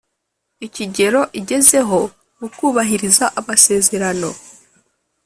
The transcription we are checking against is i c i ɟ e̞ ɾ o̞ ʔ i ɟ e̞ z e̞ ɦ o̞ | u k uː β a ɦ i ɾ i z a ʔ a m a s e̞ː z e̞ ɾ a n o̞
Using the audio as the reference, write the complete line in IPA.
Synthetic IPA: i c i ɟ e̞ ɾ o̞ ʔ i ɟ e̞ z e̞ ɦ o̞ | u k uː β a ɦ i ɾ i z a ʔ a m a s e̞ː z e̞ ɾ a n o̞